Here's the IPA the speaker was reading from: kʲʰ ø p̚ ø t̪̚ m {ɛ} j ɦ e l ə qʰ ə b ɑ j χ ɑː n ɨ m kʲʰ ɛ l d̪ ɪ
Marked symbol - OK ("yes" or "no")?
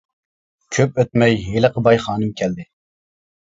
yes